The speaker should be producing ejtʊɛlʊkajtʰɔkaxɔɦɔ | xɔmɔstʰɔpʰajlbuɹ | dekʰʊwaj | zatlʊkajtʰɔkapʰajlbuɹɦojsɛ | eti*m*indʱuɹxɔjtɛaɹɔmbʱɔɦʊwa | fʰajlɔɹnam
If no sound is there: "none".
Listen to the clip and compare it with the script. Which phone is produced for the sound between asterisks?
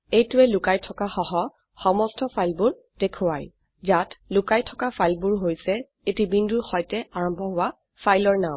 b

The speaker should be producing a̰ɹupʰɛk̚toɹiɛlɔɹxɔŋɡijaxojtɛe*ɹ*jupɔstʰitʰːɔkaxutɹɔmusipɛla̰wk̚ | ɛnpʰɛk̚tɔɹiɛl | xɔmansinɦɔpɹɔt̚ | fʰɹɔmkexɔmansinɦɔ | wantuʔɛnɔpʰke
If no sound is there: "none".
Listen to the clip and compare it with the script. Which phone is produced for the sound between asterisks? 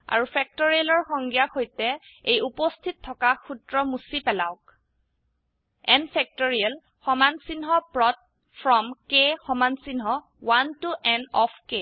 none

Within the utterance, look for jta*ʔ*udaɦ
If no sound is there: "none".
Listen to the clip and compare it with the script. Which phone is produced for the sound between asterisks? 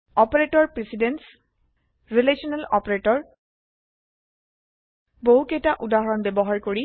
ʔ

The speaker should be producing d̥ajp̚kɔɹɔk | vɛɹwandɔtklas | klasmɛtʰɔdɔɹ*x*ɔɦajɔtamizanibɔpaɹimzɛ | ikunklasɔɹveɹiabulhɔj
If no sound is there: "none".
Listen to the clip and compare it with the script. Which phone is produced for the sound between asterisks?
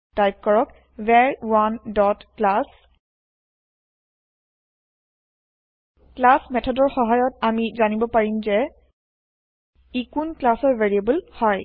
x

